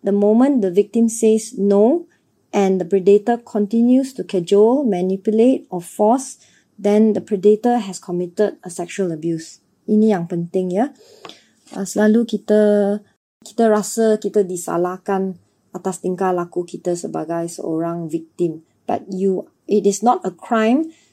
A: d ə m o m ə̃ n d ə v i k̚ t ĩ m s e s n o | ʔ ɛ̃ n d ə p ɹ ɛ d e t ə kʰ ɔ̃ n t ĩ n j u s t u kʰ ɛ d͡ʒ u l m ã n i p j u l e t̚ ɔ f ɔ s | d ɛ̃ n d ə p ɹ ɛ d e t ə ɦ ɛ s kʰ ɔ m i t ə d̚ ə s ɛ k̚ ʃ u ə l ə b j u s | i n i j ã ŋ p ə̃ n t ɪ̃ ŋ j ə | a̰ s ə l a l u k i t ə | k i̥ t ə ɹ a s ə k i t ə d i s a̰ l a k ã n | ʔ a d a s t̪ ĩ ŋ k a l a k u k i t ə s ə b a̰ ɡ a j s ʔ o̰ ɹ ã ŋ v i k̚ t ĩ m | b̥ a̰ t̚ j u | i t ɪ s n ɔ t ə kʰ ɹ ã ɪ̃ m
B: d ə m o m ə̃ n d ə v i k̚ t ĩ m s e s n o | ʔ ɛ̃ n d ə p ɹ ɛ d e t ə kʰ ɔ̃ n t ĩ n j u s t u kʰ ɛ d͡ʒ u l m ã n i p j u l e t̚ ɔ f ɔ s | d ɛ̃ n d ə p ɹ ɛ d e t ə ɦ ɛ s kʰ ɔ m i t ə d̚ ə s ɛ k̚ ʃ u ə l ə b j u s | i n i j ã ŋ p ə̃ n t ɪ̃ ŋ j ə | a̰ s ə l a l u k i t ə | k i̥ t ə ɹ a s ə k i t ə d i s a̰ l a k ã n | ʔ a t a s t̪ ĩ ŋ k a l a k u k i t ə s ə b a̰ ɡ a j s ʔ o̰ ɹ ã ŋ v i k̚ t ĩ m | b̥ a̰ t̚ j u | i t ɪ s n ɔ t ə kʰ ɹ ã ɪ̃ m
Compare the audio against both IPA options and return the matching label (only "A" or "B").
B